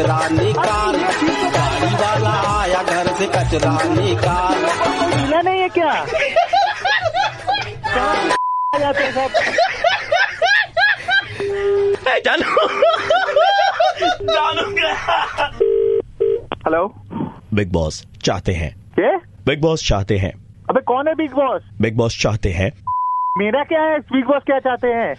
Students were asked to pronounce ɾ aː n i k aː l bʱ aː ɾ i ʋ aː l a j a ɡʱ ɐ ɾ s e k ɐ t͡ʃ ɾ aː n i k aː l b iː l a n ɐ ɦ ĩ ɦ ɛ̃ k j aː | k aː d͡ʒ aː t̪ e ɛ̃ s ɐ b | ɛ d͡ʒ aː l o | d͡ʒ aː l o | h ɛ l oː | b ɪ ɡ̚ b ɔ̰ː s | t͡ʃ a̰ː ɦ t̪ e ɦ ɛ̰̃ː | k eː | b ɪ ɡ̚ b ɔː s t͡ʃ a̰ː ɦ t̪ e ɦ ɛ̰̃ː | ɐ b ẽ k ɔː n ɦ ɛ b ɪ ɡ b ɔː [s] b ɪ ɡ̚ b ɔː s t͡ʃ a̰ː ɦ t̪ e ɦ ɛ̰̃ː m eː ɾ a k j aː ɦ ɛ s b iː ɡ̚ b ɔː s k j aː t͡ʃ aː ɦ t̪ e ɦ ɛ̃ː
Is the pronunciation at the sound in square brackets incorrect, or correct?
correct